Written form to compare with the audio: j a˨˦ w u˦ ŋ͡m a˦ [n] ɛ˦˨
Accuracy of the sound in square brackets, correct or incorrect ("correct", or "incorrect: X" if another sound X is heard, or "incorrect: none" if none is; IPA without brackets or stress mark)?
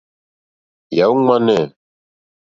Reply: correct